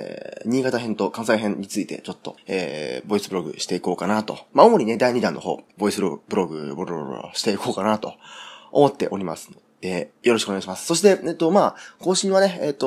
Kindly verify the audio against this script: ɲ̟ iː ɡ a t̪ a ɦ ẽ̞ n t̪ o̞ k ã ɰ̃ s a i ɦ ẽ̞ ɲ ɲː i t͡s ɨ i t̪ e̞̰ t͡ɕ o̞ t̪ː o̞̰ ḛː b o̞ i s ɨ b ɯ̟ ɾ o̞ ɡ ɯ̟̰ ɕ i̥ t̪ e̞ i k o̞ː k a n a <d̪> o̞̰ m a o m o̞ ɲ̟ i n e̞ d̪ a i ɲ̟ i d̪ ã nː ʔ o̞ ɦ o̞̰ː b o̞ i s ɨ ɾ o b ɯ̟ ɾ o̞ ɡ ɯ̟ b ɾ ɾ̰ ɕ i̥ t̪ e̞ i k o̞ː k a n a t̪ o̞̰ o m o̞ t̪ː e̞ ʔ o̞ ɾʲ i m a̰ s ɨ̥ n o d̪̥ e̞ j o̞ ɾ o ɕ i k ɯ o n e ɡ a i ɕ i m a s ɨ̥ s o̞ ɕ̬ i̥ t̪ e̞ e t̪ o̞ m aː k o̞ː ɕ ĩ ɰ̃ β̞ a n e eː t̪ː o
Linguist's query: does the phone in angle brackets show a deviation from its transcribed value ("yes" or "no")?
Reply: yes